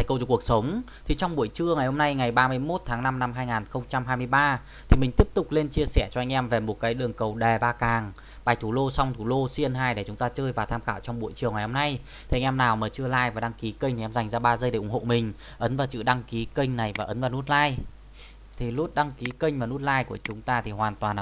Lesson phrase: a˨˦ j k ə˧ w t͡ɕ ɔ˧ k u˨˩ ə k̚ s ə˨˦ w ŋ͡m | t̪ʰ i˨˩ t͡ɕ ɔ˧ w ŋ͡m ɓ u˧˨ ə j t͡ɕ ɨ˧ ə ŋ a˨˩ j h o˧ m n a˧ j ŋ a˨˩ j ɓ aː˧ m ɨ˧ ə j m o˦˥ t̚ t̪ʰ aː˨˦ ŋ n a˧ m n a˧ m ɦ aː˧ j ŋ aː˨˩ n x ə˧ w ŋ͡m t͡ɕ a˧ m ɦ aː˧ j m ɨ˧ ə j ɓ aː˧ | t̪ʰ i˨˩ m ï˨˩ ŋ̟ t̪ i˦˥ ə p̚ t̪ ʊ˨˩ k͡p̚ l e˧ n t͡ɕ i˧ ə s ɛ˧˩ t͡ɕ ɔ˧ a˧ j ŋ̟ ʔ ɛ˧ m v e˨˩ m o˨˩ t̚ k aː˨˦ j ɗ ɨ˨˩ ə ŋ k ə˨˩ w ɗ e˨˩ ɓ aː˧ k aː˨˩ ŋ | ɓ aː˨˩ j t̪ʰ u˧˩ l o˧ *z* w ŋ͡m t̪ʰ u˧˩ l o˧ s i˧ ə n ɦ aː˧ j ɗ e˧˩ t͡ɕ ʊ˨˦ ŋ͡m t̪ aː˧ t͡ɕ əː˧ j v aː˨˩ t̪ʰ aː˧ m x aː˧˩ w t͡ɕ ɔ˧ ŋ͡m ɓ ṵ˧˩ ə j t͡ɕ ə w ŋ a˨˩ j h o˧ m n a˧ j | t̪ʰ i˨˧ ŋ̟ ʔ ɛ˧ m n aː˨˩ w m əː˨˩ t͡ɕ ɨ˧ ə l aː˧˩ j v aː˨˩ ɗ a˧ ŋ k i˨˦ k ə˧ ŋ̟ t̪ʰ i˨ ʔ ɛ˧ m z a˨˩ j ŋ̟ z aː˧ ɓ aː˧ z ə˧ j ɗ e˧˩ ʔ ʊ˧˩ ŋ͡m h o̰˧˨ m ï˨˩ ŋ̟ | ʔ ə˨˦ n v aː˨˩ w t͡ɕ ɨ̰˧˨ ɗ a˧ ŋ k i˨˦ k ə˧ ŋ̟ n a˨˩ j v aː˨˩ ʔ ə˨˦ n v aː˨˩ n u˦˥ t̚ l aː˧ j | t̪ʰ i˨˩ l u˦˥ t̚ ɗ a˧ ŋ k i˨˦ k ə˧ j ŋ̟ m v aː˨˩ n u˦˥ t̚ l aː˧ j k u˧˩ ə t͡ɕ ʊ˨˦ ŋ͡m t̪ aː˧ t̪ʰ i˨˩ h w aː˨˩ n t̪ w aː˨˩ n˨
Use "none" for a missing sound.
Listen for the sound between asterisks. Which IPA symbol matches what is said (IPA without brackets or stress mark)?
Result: s